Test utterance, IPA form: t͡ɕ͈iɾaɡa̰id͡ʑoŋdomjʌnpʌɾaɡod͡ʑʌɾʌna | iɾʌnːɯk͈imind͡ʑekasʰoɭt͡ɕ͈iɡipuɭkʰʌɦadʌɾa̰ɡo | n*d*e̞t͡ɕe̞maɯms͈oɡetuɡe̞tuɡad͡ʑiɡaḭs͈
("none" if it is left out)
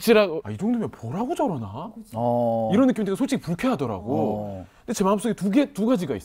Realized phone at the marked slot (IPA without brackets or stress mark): d